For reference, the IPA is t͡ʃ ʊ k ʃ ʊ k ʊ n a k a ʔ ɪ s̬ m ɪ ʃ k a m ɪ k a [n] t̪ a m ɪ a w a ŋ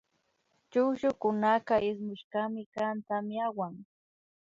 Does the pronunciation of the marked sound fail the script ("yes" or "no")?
no